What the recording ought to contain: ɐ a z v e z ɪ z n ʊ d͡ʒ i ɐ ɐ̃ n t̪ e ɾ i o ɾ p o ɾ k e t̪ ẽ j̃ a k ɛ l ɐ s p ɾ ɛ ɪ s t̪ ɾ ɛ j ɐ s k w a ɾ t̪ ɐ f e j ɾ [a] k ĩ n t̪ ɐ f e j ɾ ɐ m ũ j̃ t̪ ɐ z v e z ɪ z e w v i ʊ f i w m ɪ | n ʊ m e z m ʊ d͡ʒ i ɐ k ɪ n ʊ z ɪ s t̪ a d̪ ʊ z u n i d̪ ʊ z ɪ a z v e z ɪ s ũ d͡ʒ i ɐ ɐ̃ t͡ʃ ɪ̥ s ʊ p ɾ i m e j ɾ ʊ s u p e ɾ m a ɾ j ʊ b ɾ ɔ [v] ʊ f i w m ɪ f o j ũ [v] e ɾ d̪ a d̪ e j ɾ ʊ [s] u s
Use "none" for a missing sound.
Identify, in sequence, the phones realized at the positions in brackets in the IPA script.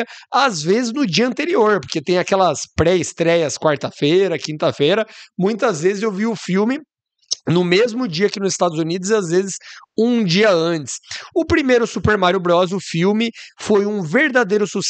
ɐ, z, v, s

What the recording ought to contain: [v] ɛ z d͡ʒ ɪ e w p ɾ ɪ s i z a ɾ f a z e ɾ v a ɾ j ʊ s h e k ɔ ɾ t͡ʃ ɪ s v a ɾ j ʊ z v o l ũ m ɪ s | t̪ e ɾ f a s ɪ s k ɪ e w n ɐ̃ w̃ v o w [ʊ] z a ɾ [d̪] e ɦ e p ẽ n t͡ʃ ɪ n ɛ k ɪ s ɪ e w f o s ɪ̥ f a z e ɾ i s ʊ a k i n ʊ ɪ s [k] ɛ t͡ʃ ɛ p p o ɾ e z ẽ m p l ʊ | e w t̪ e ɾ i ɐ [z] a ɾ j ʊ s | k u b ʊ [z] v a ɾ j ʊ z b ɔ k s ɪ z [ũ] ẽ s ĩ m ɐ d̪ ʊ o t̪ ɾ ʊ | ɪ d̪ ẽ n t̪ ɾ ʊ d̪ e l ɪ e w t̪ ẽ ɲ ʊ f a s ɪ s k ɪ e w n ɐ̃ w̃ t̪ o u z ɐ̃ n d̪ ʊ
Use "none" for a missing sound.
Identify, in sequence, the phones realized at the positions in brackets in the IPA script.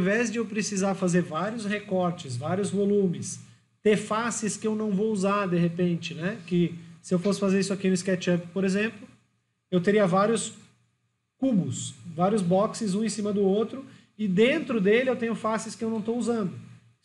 v, u, d̪, k, v, s, ũ

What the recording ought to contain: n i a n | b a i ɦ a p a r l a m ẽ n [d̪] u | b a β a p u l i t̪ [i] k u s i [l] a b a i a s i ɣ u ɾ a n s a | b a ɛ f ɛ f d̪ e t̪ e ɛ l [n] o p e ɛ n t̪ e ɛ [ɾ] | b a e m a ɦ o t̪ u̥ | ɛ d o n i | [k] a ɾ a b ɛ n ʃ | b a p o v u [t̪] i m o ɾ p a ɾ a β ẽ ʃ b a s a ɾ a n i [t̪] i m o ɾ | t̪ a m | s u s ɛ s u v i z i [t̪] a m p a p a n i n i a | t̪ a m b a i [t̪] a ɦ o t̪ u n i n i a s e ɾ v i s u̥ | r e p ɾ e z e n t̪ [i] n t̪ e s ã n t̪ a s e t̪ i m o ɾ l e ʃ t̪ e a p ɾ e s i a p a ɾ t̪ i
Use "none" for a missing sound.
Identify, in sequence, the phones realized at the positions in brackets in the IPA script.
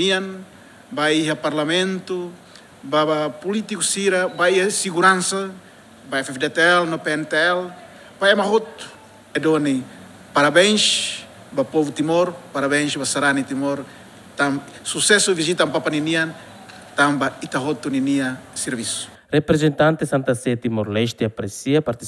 t̪, i, ɾ, n, l, p, t̪, t̪, t̪, t̪, a

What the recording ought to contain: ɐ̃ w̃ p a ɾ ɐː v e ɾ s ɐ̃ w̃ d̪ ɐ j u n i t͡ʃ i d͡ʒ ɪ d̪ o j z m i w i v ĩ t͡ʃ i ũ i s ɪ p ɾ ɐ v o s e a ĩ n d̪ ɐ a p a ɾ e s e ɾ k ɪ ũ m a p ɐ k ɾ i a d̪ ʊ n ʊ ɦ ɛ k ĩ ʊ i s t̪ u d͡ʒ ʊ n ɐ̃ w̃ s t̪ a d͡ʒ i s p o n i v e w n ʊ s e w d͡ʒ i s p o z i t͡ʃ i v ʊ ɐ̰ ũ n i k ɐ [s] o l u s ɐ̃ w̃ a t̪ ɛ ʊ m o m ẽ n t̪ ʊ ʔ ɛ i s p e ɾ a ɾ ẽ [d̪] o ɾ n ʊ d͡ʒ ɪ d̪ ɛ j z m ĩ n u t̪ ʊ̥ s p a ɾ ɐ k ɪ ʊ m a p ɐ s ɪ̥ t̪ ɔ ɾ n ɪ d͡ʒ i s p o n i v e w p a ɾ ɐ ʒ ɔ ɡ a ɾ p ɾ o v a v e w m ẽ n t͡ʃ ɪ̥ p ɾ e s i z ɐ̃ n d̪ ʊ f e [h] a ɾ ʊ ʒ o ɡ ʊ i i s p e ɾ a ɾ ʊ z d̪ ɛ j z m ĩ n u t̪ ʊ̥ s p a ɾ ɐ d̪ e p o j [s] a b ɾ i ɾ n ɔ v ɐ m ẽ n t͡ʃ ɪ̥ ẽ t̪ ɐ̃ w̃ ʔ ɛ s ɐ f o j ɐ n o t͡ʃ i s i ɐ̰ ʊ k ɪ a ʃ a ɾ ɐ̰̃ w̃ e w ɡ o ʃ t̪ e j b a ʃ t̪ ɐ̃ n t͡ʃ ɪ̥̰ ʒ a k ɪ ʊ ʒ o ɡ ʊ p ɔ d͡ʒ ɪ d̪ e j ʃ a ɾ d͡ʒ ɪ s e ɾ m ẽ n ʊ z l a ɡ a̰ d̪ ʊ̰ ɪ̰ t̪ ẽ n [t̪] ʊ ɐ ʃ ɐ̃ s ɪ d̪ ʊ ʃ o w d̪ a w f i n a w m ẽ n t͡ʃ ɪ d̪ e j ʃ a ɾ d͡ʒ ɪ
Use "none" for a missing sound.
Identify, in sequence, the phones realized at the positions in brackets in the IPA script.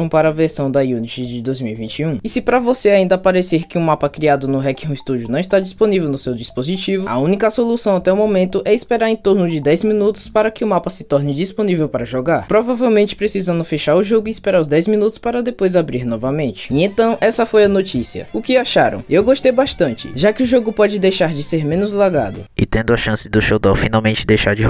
s, t̪, ʃ, z, d̪

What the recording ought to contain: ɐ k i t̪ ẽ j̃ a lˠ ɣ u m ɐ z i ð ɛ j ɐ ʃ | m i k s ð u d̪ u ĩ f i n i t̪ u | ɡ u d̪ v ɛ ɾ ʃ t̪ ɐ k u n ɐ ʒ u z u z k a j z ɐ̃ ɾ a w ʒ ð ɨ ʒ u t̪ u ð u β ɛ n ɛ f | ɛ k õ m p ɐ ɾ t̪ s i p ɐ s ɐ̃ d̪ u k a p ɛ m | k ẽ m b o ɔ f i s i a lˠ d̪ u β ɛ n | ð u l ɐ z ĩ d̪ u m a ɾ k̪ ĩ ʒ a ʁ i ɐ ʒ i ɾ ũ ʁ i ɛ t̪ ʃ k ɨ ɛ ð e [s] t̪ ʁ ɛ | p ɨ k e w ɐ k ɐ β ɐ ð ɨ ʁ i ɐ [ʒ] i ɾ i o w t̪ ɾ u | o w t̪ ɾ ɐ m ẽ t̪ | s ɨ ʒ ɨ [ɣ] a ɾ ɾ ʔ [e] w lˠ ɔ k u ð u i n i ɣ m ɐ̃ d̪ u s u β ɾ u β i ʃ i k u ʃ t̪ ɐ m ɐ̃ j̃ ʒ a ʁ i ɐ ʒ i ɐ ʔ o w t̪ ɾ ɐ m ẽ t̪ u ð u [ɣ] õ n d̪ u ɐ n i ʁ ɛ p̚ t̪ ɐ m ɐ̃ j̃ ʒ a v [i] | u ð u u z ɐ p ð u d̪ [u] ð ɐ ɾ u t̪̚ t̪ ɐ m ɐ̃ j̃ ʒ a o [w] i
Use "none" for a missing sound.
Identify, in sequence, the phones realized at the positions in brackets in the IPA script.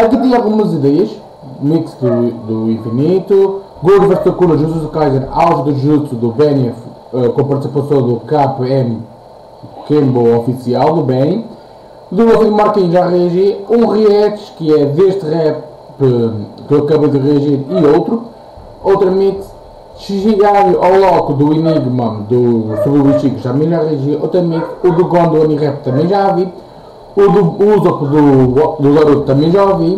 ʃ, ʒ, ɣ, a, ɣ, i, u, v

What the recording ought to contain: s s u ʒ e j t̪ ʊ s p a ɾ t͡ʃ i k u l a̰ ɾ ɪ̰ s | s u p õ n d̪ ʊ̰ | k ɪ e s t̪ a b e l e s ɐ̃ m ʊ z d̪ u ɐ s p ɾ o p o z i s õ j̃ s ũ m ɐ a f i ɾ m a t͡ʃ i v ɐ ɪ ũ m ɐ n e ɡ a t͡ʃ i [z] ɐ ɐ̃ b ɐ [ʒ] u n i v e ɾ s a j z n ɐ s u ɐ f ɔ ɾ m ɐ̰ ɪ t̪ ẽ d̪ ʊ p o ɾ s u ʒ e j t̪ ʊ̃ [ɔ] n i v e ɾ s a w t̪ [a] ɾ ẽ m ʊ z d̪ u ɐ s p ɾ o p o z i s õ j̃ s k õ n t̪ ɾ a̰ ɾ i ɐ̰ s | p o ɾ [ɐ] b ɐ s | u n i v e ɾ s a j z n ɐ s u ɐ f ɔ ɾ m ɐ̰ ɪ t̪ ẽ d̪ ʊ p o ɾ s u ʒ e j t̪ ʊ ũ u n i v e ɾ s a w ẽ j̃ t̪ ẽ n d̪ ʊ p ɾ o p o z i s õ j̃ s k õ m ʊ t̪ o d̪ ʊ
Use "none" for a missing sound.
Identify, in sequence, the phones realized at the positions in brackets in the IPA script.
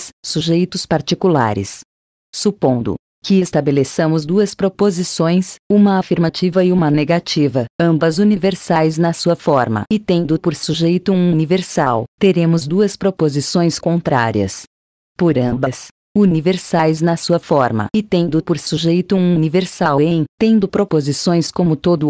v, z, u, e, ɐ̃

